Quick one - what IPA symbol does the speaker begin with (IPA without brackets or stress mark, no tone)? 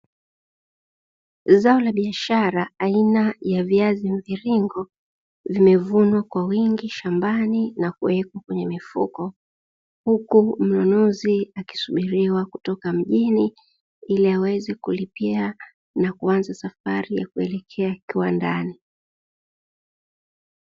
z